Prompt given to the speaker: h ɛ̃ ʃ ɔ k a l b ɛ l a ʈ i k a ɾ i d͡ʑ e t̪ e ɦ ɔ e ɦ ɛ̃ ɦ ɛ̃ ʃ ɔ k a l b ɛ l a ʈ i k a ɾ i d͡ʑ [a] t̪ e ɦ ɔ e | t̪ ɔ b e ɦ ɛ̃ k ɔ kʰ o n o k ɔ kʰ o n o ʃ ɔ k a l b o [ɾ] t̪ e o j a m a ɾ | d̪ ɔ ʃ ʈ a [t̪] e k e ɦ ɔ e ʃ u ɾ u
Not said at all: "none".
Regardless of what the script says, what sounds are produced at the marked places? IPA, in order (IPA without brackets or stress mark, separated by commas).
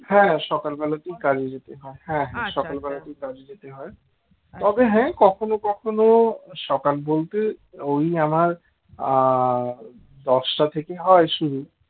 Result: e, l, t̪ʰ